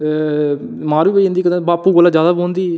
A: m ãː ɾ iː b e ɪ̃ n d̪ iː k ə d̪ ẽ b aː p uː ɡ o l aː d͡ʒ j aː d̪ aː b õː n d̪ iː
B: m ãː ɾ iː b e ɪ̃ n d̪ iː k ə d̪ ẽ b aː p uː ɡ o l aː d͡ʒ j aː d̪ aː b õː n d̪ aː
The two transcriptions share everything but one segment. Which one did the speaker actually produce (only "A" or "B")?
A